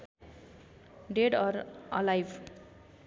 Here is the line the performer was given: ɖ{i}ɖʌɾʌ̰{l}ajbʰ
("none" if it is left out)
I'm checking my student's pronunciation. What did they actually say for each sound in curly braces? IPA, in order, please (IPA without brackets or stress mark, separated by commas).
e, l